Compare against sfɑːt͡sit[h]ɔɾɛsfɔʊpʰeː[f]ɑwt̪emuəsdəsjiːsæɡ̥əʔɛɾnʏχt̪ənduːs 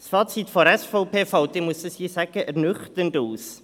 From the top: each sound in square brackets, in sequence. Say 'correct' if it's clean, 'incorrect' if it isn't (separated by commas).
incorrect, correct